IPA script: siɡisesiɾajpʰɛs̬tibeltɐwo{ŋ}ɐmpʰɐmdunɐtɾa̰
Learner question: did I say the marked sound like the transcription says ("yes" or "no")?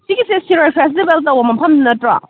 no